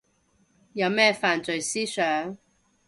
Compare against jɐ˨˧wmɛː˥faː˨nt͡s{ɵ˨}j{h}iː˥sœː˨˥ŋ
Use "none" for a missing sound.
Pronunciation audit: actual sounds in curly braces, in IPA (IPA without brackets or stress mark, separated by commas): ɵ˨, s